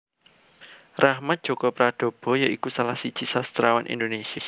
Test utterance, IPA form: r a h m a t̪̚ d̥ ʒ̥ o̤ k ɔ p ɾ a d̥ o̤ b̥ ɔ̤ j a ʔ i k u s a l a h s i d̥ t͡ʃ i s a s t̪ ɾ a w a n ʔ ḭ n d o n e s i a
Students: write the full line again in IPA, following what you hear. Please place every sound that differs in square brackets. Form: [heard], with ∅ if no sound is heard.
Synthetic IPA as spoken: r a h m a t̪̚ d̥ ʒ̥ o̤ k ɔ p ɾ a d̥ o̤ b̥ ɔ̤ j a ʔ i k u s a l a h s i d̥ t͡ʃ i s a s t̪ ɾ a w a n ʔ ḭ n d o n e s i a

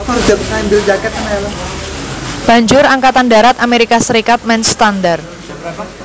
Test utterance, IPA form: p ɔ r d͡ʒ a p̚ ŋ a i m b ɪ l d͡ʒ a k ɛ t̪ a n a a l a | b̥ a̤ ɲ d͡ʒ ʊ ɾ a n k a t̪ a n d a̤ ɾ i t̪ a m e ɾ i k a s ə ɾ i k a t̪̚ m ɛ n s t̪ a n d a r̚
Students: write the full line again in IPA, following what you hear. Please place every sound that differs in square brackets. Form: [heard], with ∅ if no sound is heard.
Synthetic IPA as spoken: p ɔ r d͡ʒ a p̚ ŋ a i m b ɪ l d͡ʒ a k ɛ t̪ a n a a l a | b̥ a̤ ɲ d͡ʒ ʊ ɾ a [ŋ] k a t̪ a n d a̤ ɾ [a] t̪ a m e ɾ i k a s ə ɾ i k a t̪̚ m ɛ n s t̪ a n d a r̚

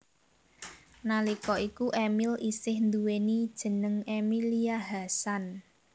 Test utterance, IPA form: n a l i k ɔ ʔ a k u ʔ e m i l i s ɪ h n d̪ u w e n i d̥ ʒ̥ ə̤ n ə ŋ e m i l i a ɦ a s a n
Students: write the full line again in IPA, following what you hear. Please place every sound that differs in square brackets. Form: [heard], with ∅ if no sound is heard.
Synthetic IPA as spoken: n a l i k ɔ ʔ [i] k u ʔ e m i l i s ɪ h n d̪ u w e n i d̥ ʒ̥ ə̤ n ə ŋ e m i l i a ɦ a s a n

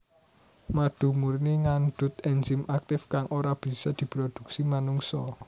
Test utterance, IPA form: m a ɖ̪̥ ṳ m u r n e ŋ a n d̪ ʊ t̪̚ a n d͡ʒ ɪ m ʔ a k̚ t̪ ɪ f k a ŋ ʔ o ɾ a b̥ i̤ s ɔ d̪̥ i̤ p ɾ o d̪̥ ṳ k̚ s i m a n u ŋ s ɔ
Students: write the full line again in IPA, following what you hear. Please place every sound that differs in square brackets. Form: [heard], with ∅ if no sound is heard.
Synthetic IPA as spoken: m a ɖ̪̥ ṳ m u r n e ŋ a n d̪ ʊ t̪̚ [ɛ] n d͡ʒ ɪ m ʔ a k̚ t̪ ɪ f k a ŋ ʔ o ɾ a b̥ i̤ s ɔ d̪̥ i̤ p ɾ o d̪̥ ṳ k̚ s i m a n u ŋ s ɔ

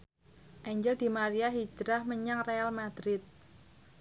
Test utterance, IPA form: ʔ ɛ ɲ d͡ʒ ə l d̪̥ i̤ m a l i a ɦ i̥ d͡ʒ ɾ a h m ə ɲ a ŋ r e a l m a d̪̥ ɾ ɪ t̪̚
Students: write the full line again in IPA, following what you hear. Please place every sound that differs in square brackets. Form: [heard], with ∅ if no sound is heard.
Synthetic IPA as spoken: ʔ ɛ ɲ d͡ʒ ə l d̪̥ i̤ m a [ɾ] i a ɦ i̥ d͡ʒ ɾ a h m ə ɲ a ŋ r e a l m a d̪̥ ɾ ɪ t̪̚

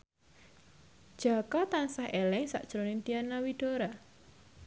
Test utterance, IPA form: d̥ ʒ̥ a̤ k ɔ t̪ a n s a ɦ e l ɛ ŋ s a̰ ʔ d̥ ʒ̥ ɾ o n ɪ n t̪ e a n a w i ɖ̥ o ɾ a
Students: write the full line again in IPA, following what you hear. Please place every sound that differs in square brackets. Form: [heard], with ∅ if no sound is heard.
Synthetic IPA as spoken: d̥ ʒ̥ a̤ k ɔ t̪ a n s a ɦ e l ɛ ŋ s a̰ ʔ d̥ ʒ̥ ɾ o n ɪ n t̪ [i] a n a w i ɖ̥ o ɾ a

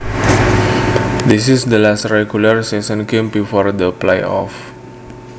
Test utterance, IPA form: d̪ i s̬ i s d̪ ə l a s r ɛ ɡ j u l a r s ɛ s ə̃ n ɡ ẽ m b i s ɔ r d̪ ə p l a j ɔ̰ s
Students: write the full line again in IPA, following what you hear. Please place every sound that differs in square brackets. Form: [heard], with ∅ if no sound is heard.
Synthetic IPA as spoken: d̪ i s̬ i s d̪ ə l a s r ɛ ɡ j u l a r s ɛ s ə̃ n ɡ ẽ m b i [f] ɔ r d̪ ə p l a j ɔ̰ [f]

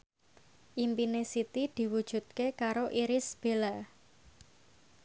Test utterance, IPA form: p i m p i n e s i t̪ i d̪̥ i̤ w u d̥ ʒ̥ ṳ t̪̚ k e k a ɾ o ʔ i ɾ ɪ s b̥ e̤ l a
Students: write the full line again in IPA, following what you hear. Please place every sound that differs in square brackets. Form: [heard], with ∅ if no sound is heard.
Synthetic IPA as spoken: [ʔ] i m p i n e s i t̪ i d̪̥ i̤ w u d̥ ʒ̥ ṳ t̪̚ k e k a ɾ o ʔ i ɾ ɪ s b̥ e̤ l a

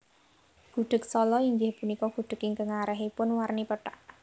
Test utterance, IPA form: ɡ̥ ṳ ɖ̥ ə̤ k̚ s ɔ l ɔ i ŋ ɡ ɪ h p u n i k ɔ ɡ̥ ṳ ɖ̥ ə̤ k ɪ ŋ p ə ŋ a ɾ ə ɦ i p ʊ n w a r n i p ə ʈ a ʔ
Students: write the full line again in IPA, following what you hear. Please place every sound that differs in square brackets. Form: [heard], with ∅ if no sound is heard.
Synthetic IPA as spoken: ɡ̥ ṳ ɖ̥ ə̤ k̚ s ɔ l ɔ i ŋ ɡ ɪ h p u n i k ɔ ɡ̥ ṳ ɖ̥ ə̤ k ɪ ŋ [k] ə ŋ a ɾ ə ɦ i p ʊ n w a r n i p ə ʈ a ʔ

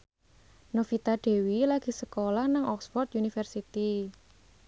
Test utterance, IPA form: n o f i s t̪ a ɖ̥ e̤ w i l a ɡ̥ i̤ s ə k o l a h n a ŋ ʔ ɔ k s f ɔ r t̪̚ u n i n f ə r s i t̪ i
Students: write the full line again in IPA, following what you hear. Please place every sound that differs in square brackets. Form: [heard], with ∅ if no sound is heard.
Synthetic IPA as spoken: n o f i [∅] t̪ a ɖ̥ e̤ w i l a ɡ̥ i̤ s ə k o l a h n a ŋ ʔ ɔ k s f ɔ r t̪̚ u n i [∅] f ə r s i t̪ i

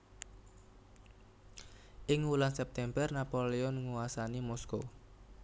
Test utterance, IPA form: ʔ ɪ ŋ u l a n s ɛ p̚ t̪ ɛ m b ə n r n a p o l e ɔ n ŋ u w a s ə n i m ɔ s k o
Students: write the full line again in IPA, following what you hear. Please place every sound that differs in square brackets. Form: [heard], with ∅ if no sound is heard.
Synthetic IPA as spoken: ʔ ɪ ŋ u l a n s ɛ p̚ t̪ ɛ m b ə [∅] r n a p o l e ɔ n ŋ u w a s [a] n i m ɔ s k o

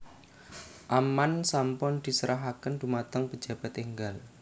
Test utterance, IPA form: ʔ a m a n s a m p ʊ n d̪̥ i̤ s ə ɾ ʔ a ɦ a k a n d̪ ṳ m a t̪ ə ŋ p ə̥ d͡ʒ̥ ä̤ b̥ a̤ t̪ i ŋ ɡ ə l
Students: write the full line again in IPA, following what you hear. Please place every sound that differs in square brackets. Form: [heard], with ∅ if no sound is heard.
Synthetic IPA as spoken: ʔ a m a n s a m p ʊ n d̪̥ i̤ s ə ɾ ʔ a ɦ a k [ə] n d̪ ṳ m a t̪ ə ŋ p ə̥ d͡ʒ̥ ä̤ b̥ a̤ t̪ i ŋ ɡ [a] l

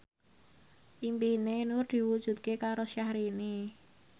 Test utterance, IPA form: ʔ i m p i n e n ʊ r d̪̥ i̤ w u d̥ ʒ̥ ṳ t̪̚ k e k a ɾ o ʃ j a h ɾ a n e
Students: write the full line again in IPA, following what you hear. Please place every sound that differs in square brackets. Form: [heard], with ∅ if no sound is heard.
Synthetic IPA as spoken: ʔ i m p i n e n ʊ r d̪̥ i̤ w u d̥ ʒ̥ ṳ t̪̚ k e k a ɾ o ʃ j a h ɾ [i] n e

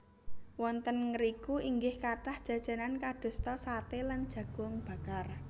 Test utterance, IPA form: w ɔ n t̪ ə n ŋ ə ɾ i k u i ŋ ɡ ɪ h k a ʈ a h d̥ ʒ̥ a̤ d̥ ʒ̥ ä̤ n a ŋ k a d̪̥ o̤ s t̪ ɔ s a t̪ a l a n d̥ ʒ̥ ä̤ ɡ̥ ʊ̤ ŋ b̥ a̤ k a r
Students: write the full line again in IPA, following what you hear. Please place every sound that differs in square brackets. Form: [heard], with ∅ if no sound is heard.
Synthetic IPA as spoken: w ɔ n t̪ ə n ŋ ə ɾ i k u i ŋ ɡ ɪ h k a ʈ a h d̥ ʒ̥ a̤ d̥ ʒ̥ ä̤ n a [n] k a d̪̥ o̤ s t̪ ɔ s a t̪ [e] l a n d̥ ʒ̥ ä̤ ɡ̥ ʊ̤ ŋ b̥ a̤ k a r

